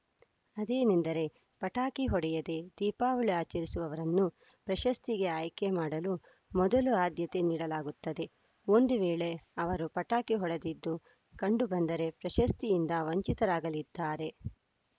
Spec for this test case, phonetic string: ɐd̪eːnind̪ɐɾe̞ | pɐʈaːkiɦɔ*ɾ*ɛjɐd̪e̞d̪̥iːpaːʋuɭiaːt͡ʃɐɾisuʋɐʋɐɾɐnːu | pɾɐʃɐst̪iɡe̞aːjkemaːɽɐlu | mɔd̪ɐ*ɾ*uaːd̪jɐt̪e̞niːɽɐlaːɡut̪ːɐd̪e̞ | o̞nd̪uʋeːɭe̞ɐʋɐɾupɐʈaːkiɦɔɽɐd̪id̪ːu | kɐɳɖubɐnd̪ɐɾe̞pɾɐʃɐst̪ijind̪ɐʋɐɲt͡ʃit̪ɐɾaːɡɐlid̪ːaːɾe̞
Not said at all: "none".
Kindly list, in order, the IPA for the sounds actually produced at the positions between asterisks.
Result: ɽ, l

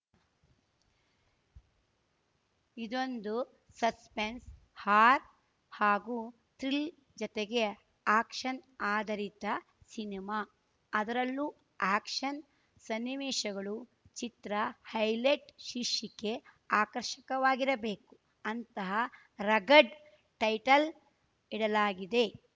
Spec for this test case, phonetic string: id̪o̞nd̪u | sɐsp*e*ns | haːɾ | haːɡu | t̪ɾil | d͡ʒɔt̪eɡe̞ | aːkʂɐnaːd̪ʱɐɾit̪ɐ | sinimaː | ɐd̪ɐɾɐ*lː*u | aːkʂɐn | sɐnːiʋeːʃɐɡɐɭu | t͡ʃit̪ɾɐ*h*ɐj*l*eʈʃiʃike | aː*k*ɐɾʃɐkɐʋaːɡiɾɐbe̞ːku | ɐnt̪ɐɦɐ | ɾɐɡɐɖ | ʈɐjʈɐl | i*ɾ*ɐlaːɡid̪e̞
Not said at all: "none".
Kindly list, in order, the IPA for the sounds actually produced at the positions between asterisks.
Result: e, lː, h, l, k, ɽ

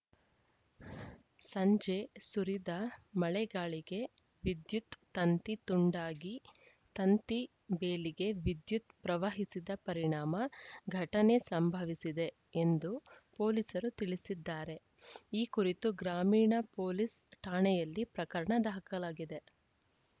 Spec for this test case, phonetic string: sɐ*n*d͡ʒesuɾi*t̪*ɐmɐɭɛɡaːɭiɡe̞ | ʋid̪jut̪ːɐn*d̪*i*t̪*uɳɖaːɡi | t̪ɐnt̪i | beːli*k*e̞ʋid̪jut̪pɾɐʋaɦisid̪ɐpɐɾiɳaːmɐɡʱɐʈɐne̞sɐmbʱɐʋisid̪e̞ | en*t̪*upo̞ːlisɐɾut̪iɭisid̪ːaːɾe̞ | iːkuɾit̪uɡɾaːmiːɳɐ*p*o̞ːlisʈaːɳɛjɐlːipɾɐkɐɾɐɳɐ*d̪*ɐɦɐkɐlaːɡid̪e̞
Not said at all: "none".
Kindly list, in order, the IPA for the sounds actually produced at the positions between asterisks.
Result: ɲ, d̪, t̪, t̪, ɡ, d̪, p, d̪

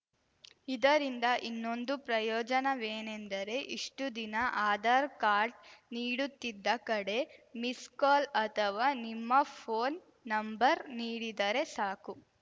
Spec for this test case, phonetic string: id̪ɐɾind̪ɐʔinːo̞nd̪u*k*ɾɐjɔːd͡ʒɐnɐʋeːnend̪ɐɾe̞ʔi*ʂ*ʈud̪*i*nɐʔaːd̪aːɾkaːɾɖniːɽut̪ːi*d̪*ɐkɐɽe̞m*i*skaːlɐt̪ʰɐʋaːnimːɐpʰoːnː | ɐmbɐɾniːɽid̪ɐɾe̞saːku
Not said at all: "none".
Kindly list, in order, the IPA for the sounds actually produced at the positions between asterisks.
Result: p, ʂ, i, d̪ː, i

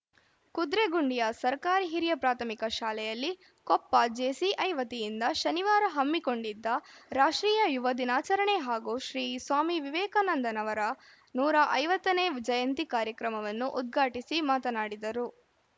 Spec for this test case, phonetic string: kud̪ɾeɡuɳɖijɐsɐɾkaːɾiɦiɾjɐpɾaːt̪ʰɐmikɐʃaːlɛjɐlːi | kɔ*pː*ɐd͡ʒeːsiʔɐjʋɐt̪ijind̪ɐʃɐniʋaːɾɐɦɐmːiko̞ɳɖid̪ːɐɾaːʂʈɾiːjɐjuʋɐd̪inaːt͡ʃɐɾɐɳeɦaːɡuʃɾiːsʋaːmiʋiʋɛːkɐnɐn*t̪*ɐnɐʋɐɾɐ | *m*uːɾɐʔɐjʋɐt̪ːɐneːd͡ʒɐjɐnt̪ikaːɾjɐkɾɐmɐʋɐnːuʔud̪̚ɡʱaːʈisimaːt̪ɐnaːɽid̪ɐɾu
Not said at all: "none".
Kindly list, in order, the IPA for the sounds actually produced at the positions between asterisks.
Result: pː, d̪, n

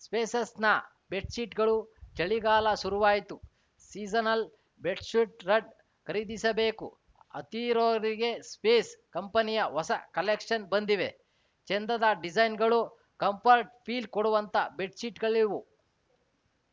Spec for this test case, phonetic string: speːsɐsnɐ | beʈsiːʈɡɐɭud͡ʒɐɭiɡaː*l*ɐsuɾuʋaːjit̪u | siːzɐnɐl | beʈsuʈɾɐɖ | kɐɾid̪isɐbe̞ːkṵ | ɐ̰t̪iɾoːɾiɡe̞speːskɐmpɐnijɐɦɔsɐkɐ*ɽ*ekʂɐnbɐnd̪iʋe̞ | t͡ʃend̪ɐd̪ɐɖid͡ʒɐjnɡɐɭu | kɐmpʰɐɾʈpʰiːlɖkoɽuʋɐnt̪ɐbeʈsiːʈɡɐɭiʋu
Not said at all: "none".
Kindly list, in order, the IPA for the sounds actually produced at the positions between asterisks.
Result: l, l

